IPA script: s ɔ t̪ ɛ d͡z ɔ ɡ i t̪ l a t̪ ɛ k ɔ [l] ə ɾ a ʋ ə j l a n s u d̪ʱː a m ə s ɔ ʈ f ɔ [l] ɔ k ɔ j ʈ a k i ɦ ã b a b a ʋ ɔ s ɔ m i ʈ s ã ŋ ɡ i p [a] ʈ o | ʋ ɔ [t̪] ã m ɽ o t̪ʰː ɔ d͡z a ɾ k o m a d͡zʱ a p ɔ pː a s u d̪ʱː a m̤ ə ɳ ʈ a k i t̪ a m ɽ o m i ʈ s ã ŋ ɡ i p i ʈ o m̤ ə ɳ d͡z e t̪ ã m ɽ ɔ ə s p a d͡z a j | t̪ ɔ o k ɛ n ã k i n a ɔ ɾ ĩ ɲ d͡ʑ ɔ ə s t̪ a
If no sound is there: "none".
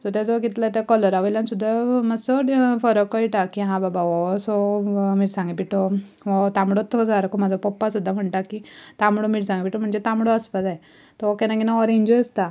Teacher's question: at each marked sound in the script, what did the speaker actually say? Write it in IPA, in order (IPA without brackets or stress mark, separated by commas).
l, ɾ, i, t̪